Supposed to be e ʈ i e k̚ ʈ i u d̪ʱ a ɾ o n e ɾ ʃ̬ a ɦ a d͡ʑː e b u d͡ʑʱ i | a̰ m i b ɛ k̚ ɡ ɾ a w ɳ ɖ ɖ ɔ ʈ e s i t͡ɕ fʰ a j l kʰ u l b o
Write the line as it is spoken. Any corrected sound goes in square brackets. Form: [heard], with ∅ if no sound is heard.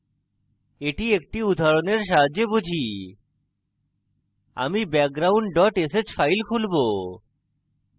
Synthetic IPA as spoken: e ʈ i e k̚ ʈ i u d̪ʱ a ɾ o n e ɾ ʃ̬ a ɦ a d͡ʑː e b u d͡ʑʱ i | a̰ m i b ɛ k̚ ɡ ɾ a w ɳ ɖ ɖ ɔ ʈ e s [e] t͡ɕ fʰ a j l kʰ u l b o

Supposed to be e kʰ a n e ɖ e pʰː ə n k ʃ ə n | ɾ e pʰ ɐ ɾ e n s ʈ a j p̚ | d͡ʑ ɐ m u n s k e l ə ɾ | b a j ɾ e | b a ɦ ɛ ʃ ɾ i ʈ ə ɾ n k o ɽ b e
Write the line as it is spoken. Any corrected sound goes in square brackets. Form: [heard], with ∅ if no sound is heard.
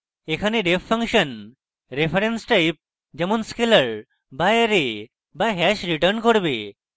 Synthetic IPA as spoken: e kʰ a n e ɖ e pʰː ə [ŋ] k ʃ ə n | ɾ e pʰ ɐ ɾ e n s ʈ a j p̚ | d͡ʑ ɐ m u n s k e l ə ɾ | b a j ɾ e | b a ɦ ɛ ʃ ɾ i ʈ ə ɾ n k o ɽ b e

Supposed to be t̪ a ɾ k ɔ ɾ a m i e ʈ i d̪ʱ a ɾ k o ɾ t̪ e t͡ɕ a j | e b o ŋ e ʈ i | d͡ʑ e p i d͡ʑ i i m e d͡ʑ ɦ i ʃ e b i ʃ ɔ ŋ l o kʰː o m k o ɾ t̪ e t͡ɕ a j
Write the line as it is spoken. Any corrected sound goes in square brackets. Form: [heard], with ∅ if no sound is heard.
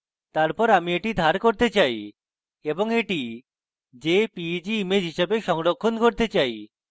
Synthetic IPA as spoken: t̪ a ɾ [p] ɔ ɾ a m i e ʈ i d̪ʱ a ɾ k o ɾ t̪ e t͡ɕ a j | e b o ŋ e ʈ i | d͡ʑ e p i d͡ʑ i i m e d͡ʑ ɦ i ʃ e b [e] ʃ ɔ ŋ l o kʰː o [n] k o ɾ t̪ e t͡ɕ a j

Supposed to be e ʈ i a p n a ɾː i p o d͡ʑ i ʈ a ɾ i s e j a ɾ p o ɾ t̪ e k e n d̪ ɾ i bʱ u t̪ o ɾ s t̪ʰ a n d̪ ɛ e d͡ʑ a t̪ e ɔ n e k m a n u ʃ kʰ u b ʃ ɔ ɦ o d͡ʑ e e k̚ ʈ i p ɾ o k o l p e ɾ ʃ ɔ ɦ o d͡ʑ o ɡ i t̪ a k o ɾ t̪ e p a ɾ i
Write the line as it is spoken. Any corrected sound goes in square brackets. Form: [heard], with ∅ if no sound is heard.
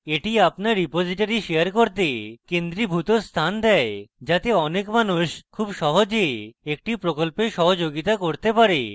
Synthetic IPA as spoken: e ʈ i a p n a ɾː i p o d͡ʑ i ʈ a ɾ i [ʃ] e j a ɾ [k] o ɾ t̪ e k e n d̪ ɾ i bʱ u t̪ o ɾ s t̪ʰ a n d̪ ɛ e d͡ʑ a t̪ e ɔ n e k m a n u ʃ kʰ u b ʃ ɔ ɦ o d͡ʑ e e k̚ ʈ i p ɾ o k o l p e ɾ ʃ ɔ ɦ o d͡ʑ o ɡ i t̪ a k o ɾ t̪ e p a ɾ [e]

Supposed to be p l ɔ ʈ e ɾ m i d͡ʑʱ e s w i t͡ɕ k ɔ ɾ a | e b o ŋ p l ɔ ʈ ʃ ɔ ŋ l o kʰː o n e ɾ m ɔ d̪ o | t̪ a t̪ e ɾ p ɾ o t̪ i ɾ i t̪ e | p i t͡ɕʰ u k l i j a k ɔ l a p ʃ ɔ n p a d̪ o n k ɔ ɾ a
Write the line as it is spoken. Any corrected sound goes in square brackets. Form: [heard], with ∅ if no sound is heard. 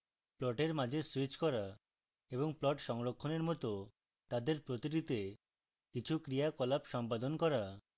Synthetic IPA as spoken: p l ɔ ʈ e ɾ m [a] d͡ʑʱ e s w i t͡ɕ k ɔ ɾ a | e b o ŋ p l ɔ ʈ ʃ ɔ ŋ [ɾ] o kʰː o n e ɾ m ɔ [t̪] o | t̪ a [d̪] e ɾ p ɾ o t̪ i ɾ i t̪ e | [k] i t͡ɕʰ u k [ɾ] i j a k ɔ l a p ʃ ɔ [m] p a d̪ o n k ɔ ɾ a

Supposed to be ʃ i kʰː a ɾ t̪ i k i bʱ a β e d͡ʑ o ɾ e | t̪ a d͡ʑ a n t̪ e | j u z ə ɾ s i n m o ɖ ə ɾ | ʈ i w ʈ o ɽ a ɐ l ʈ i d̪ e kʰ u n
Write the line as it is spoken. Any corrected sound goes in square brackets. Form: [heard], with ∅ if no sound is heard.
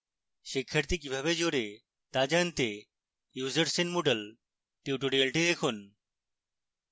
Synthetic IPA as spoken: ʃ i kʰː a ɾ t̪ i k i bʱ a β e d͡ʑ o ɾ e | t̪ a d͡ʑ a n t̪ e | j u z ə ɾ s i n m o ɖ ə [l] | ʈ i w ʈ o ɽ [i] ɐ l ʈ i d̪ e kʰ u n

